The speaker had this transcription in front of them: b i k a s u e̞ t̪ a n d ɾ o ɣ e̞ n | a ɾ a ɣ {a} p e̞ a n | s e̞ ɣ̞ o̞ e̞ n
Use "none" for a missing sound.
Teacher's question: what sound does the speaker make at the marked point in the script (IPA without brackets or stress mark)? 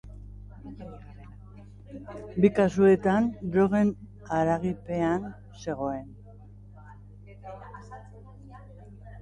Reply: i